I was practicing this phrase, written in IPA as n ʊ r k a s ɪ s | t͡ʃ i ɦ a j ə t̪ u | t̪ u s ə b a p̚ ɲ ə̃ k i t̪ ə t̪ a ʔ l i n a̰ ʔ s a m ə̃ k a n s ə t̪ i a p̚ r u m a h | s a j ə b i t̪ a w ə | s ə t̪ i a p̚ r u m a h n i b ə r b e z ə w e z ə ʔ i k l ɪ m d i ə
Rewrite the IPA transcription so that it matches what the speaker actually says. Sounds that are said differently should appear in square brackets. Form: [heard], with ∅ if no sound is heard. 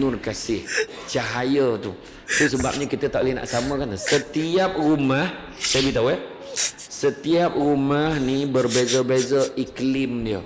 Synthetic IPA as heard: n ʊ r k a s ɪ [h] | t͡ʃ [a] ɦ a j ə t̪ u | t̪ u s ə b a p̚ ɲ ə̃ k i t̪ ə t̪ a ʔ l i n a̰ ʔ s a m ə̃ k a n s ə t̪ i a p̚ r u m a h | s a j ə b i t̪ a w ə | s ə t̪ i a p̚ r u m a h n i b ə r b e z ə [b] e z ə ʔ i k l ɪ m d i ə